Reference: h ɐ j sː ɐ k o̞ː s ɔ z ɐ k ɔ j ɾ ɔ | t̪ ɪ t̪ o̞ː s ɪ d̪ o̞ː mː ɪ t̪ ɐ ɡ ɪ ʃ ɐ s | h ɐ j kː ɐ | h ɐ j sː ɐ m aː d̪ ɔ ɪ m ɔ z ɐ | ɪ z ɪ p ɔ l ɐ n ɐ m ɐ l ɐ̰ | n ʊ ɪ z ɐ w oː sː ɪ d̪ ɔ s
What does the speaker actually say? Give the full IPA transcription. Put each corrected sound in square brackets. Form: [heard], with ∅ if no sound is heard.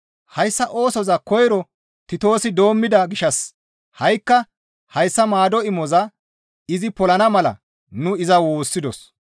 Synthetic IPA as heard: h ɐ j sː ɐ [ʔ] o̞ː s ɔ z ɐ k ɔ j ɾ ɔ | t̪ ɪ t̪ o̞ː s ɪ d̪ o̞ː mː ɪ [d̪] ɐ ɡ ɪ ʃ ɐ s | h ɐ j kː ɐ | h ɐ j sː ɐ m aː d̪ ɔ ɪ m ɔ z ɐ | ɪ z ɪ p ɔ l ɐ n ɐ m ɐ l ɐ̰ | n ʊ ɪ z ɐ w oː sː ɪ d̪ ɔ s